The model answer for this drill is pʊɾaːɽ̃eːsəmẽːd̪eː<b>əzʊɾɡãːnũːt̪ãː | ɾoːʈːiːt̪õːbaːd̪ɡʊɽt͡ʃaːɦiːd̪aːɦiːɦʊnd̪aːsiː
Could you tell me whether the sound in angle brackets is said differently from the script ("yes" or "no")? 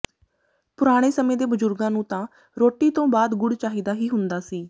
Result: no